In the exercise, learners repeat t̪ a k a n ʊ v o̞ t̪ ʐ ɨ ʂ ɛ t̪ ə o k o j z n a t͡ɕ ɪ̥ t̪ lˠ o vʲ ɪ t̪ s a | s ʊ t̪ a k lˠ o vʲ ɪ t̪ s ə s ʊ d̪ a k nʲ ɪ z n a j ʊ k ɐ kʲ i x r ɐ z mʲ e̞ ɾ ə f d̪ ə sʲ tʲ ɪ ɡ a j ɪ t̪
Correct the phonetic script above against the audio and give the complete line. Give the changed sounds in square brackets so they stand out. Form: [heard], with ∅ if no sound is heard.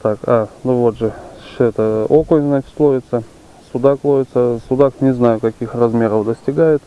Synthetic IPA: t̪ a k a n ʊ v o̞ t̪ ʐ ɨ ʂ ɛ t̪ ə o k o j z n a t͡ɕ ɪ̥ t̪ lˠ o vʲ ɪ t̪ s [ə] | s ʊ [d̪] a k lˠ o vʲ ɪ t̪ s ə s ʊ d̪ a k nʲ ɪ z n a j ʊ k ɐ kʲ i x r ɐ z mʲ e̞ ɾ ə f d̪ ə sʲ tʲ ɪ ɡ a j ɪ t̪